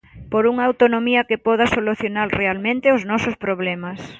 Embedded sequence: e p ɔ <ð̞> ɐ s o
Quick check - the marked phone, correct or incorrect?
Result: correct